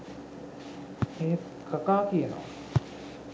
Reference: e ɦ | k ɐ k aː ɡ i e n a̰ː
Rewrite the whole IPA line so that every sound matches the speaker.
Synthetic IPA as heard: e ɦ | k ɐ k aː k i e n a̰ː